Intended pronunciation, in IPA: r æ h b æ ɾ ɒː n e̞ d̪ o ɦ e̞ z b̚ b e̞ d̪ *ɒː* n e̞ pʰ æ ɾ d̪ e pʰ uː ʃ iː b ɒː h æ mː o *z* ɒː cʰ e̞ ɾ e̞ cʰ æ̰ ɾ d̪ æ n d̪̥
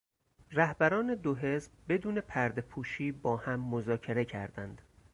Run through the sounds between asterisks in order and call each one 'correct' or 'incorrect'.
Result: incorrect: uː, correct

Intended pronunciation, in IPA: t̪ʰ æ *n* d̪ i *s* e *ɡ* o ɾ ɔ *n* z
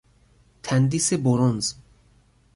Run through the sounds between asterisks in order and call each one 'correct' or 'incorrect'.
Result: correct, correct, incorrect: b, correct

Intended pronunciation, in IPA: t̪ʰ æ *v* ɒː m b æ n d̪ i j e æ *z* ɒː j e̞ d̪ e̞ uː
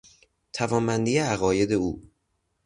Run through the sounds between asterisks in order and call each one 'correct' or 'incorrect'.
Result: correct, incorrect: ɣ

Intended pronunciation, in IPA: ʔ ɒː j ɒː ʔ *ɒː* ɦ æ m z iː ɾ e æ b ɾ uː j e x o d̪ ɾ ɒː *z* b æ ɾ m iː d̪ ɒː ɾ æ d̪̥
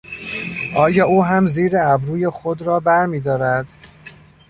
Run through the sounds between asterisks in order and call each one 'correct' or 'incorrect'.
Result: incorrect: uː, incorrect: none

